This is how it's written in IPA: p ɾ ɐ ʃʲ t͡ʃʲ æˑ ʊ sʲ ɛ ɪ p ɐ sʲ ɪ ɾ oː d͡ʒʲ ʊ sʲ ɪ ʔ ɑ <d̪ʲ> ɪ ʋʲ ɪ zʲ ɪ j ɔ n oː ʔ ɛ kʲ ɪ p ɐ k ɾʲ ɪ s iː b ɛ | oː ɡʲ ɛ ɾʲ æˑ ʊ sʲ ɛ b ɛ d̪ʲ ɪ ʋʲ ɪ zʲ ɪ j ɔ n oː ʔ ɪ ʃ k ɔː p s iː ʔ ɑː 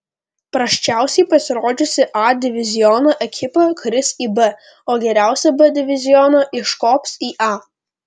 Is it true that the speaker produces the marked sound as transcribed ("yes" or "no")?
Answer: yes